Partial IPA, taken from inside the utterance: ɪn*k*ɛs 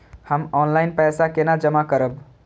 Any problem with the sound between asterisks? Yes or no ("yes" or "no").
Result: yes